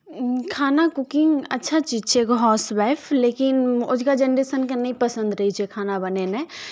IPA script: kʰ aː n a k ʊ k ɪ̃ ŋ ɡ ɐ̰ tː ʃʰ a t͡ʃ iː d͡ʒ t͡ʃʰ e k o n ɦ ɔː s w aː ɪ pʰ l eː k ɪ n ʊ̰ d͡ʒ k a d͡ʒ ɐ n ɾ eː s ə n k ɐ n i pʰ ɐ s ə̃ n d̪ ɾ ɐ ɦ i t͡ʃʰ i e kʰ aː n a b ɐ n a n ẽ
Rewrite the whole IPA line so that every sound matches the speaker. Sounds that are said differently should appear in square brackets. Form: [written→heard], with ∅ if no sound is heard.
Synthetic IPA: kʰ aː n a k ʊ k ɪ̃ ŋ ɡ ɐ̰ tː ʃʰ a t͡ʃ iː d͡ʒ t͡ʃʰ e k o [n→∅] ɦ ɔː s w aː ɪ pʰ l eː k ɪ n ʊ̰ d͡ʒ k a d͡ʒ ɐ n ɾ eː s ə n k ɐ n i [pʰ→p] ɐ s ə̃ n d̪ ɾ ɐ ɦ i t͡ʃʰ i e kʰ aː n a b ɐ n [a→e] n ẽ